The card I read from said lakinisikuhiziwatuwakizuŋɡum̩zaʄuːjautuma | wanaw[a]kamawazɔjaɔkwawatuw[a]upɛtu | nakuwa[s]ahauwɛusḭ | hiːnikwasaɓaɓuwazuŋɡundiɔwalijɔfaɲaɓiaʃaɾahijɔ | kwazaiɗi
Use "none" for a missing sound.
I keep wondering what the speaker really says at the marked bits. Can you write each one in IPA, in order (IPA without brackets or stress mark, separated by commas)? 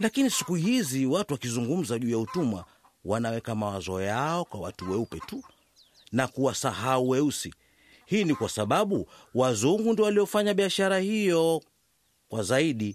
ɛ, ɛ, s